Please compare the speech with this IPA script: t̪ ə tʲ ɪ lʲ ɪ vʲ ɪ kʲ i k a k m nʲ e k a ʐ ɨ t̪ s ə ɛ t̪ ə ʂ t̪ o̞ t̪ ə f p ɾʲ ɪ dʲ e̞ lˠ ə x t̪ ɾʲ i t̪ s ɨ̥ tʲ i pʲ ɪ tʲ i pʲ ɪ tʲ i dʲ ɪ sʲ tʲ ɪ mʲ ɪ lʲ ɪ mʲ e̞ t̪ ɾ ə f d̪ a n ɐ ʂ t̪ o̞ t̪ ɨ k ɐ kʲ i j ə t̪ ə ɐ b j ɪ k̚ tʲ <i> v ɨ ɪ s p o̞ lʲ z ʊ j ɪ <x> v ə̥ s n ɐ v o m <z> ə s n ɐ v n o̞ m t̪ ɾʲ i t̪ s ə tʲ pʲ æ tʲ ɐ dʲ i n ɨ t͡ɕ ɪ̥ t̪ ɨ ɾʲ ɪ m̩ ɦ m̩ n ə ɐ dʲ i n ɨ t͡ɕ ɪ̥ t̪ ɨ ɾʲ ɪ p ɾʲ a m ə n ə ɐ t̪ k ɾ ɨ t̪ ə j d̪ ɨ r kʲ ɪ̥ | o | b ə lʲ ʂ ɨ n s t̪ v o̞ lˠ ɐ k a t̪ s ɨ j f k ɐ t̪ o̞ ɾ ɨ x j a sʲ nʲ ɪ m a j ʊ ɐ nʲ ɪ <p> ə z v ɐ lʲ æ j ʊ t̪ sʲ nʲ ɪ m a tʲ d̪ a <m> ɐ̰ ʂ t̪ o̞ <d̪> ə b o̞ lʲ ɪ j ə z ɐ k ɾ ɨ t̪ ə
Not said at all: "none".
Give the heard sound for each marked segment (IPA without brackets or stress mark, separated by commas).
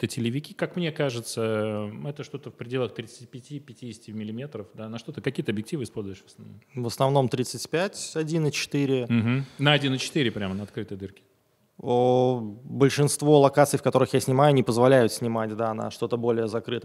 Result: i, ʂ, v, p, n, t̪